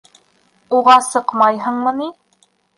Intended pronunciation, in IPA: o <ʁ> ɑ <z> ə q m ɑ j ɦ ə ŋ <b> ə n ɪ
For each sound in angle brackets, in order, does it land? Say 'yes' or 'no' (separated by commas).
yes, no, no